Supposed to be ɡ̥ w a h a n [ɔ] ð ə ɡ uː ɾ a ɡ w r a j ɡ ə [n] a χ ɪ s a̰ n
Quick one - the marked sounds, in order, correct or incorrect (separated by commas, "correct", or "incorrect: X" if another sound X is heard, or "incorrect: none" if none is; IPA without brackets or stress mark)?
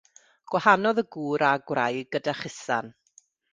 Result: correct, incorrect: d